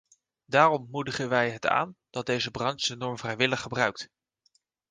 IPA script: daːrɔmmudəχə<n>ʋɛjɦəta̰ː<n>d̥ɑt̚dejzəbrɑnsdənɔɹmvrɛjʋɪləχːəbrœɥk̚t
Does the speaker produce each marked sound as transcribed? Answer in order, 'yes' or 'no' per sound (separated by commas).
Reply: yes, yes